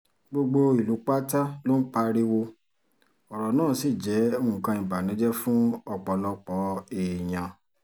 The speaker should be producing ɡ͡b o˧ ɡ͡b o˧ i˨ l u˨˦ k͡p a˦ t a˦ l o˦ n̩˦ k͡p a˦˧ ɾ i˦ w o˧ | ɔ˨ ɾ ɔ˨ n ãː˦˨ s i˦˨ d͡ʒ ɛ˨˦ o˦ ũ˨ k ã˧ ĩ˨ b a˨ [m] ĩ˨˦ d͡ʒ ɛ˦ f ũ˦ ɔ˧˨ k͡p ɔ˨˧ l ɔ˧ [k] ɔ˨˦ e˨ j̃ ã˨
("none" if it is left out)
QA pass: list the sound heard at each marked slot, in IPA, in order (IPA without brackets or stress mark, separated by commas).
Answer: n, k͡p